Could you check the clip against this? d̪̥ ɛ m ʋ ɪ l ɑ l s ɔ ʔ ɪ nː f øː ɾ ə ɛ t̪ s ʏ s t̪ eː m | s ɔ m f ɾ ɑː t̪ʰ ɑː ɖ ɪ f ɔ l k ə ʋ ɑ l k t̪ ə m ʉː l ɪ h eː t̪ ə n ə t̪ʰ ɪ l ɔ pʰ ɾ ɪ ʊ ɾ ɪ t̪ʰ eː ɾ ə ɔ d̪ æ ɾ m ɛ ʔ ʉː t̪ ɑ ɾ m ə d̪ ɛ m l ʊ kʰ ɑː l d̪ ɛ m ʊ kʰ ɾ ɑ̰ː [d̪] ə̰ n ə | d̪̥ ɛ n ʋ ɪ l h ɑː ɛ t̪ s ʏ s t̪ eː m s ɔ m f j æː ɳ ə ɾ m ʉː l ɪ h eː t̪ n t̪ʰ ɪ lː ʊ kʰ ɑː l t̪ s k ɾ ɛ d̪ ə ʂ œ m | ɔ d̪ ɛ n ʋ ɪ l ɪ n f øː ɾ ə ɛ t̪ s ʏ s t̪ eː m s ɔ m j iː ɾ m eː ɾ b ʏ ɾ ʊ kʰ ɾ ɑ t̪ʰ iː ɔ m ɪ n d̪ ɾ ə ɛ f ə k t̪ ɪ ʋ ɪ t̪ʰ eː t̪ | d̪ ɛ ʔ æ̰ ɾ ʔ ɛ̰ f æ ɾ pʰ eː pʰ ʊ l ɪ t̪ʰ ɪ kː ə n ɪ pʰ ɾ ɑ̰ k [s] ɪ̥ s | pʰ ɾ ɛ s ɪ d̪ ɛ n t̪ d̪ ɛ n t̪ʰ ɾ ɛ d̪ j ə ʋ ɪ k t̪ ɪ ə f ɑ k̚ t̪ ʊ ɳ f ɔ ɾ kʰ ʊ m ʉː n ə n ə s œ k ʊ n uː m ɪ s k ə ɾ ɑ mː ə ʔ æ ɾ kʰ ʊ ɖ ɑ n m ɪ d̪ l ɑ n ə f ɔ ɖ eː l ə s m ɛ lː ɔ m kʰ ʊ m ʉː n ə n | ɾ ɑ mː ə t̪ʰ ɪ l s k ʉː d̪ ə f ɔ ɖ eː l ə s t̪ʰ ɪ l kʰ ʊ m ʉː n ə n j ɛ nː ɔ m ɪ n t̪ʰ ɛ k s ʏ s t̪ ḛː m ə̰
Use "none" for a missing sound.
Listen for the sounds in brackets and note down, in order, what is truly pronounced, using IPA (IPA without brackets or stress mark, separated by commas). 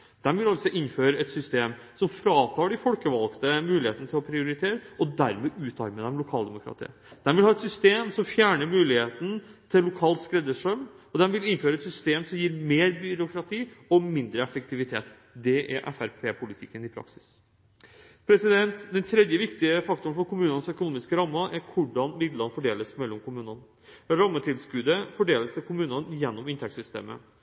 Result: t̪, s